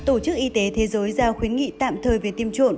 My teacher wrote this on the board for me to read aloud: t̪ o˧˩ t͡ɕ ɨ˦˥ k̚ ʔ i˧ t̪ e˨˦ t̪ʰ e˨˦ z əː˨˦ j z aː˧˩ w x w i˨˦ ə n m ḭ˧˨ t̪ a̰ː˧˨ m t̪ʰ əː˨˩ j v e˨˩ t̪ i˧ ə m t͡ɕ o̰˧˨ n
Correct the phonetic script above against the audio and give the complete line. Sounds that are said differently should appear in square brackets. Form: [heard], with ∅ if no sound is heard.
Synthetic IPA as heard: t̪ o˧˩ t͡ɕ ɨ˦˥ k̚ ʔ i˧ t̪ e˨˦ t̪ʰ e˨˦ z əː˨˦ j z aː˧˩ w x w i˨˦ ə n [ŋ] ḭ˧˨ t̪ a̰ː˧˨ m t̪ʰ əː˨˩ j v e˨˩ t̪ i˧ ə m t͡ɕ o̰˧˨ n